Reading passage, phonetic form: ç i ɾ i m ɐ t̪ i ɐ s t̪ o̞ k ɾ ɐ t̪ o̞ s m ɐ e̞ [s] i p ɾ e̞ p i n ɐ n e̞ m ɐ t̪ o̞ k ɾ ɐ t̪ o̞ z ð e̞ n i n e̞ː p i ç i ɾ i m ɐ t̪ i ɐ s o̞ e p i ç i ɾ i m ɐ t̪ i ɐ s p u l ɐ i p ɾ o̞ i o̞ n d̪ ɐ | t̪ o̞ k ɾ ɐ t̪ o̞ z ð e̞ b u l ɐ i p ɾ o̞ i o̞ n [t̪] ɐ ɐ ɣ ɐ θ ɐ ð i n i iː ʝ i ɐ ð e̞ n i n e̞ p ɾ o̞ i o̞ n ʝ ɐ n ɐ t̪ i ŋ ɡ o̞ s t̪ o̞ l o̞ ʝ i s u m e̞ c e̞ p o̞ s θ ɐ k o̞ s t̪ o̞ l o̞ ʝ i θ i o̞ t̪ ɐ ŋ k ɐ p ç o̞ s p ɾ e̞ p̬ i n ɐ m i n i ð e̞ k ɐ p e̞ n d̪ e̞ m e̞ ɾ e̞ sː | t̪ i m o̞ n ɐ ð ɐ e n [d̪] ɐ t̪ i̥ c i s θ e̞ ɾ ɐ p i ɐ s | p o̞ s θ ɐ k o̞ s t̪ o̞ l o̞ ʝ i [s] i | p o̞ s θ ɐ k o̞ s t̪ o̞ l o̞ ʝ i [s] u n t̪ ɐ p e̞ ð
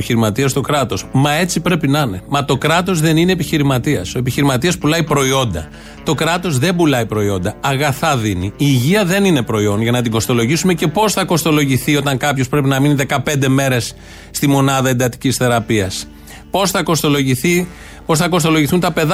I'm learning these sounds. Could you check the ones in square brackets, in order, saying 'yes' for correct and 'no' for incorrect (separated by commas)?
no, no, yes, no, no